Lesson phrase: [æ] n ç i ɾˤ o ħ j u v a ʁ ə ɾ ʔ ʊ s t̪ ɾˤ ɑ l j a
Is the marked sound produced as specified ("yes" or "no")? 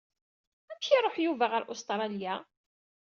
yes